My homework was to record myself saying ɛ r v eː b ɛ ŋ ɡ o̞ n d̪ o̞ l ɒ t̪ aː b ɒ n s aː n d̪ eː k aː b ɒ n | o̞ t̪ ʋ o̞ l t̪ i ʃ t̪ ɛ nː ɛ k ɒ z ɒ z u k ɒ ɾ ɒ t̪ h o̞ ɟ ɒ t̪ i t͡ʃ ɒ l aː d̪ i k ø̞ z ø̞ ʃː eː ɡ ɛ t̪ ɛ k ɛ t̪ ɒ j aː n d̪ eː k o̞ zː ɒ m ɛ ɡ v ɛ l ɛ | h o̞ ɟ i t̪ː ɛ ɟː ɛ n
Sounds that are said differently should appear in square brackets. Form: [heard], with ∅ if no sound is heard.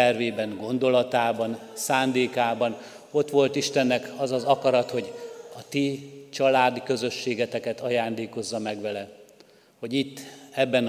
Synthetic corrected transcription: ɛ r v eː b ɛ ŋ ɡ o̞ n d̪ o̞ l ɒ t̪ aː b ɒ n s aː n d̪ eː k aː b ɒ n | o̞ t̪ ʋ o̞ l t̪ i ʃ t̪ ɛ nː ɛ k ɒ z ɒ z [ɒ] k ɒ ɾ ɒ t̪ h o̞ ɟ ɒ t̪ i t͡ʃ ɒ l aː d̪ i k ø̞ z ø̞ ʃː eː ɡ ɛ t̪ ɛ k ɛ t̪ ɒ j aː n d̪ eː k o̞ zː ɒ m ɛ ɡ [ʋ] ɛ l ɛ | h o̞ ɟ i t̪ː ɛ [bː] ɛ n